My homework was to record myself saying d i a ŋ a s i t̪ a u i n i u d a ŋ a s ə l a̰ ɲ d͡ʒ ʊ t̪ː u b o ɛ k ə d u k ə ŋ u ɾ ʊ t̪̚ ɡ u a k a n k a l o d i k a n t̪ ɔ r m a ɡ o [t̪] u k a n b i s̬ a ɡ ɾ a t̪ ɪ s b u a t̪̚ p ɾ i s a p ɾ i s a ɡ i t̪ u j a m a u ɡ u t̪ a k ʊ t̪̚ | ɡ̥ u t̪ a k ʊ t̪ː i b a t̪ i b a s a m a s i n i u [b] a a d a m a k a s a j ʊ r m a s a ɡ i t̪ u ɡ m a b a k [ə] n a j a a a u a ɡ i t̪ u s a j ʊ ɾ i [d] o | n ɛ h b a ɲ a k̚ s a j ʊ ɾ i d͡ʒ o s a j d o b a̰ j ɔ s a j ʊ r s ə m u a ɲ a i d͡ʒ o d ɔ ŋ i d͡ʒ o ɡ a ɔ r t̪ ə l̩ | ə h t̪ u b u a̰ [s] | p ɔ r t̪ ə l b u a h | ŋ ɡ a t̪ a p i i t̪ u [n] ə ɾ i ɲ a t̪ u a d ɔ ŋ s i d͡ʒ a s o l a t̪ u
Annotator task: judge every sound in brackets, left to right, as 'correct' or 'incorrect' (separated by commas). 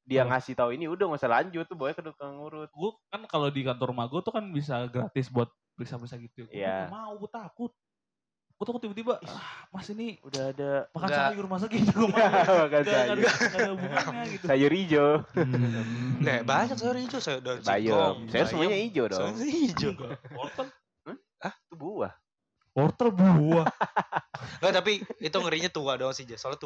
correct, incorrect, incorrect, incorrect, incorrect, incorrect